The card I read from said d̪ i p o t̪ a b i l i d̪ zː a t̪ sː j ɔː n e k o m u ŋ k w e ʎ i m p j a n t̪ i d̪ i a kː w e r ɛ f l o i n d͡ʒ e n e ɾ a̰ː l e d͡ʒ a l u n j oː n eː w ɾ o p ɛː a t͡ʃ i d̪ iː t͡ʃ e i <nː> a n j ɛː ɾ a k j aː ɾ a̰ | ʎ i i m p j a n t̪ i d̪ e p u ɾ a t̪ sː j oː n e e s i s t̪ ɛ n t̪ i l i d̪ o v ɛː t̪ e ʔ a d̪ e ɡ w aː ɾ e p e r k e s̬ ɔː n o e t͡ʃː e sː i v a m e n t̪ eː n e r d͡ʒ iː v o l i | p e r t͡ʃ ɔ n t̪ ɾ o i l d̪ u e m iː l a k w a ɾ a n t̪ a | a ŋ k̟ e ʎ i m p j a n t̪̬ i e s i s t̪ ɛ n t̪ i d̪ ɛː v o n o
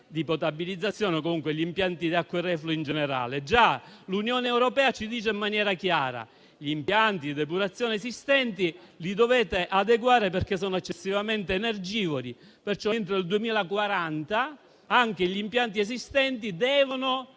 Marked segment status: incorrect: mː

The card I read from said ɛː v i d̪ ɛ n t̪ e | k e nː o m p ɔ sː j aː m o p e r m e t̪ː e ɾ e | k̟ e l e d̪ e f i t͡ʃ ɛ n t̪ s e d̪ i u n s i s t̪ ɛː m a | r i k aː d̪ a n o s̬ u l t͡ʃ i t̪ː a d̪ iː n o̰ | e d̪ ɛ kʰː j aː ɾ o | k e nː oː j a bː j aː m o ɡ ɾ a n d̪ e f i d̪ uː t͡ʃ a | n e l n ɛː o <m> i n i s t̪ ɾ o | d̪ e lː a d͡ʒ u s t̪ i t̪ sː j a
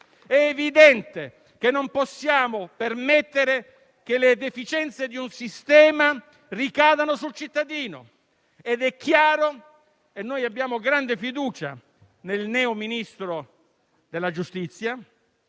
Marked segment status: correct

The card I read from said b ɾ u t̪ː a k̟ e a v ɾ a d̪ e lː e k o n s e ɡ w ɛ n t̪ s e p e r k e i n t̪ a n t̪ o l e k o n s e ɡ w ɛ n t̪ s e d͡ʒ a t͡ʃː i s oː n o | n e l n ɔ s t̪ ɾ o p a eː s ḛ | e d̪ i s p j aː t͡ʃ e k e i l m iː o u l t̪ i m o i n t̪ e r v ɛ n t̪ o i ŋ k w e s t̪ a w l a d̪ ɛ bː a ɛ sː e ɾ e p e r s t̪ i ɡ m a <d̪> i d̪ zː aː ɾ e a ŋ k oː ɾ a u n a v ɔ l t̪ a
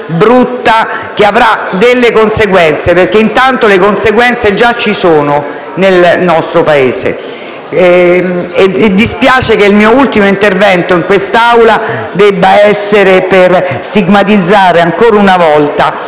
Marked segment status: incorrect: t̪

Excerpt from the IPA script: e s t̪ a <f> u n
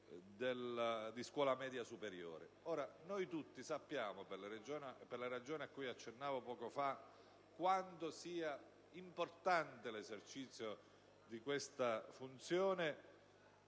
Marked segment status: correct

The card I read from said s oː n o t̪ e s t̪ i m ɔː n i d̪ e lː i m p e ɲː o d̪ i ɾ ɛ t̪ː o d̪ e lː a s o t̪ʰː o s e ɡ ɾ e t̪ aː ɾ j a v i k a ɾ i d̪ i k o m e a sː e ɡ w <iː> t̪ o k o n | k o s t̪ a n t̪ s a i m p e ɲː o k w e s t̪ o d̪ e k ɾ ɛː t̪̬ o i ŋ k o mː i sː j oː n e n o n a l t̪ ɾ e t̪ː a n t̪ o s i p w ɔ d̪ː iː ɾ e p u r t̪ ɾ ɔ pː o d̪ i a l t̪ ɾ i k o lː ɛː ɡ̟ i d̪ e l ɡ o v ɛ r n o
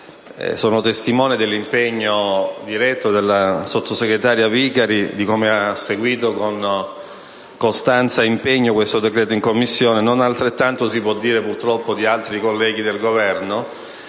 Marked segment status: correct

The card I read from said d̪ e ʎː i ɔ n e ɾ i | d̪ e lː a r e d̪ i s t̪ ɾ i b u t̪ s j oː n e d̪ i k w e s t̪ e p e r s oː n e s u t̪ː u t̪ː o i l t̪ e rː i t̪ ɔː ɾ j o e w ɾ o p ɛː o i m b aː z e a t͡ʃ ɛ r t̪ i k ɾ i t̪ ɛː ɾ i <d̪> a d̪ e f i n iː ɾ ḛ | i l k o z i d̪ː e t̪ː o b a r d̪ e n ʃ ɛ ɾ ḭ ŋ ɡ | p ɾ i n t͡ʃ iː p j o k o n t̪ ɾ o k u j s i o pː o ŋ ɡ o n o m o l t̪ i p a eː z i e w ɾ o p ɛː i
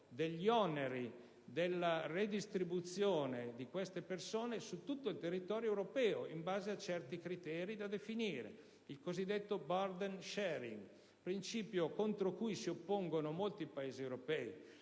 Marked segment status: correct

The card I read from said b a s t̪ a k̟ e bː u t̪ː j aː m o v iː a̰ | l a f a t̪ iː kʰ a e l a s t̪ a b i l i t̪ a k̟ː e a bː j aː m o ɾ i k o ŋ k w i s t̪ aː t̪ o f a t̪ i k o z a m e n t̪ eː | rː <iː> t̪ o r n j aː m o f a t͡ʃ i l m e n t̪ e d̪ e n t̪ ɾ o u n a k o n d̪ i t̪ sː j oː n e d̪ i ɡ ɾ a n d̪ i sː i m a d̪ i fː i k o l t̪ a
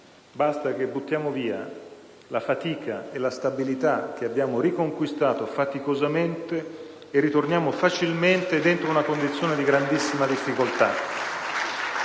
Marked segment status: incorrect: i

